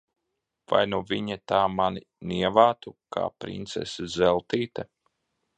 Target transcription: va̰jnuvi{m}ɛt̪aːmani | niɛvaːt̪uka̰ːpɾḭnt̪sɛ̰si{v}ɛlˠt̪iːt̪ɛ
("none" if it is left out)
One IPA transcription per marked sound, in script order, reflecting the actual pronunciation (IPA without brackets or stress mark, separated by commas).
ɲ, z